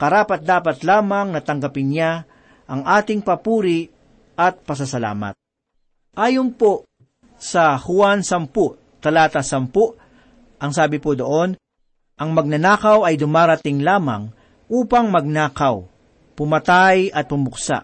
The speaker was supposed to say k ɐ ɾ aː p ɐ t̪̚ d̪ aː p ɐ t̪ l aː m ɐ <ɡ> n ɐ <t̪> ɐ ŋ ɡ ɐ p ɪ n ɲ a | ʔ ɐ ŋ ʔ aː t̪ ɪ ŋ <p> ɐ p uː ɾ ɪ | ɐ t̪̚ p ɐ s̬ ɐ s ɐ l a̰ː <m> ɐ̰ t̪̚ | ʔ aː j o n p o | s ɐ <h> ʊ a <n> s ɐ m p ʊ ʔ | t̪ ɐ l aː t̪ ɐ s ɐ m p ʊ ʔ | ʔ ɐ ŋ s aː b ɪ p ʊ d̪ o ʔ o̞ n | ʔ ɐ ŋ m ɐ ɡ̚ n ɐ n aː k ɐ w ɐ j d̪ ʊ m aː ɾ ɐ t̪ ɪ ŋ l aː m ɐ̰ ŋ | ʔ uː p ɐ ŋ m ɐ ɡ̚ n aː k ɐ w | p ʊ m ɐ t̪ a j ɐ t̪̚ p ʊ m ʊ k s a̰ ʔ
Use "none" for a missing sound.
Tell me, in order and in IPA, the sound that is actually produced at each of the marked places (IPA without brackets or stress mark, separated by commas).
ŋ, t̪, p, m, h, n